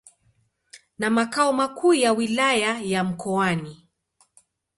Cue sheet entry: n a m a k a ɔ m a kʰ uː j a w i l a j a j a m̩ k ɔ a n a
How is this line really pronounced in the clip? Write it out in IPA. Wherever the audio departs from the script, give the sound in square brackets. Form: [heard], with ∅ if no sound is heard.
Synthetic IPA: n a m a k a ɔ m a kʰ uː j a w i l a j a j a m̩ k ɔ a n [i]